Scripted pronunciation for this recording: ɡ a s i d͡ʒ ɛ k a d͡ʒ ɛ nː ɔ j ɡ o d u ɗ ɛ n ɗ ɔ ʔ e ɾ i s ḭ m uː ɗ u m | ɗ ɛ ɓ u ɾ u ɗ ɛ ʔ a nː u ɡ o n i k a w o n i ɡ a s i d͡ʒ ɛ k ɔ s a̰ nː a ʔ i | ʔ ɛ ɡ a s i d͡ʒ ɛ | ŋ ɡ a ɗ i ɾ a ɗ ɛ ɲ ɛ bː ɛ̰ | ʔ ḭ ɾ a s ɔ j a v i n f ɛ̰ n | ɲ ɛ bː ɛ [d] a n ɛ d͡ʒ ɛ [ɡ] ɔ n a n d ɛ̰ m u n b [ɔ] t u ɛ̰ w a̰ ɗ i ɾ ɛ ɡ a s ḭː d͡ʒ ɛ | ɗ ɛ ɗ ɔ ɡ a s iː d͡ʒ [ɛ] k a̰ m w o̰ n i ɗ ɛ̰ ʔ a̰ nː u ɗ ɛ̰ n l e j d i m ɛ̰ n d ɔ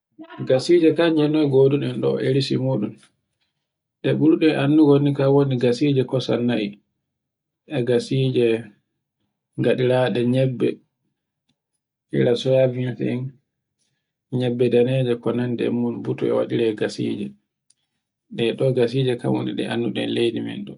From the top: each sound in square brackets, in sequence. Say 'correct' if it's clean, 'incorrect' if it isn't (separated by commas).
correct, incorrect, incorrect, correct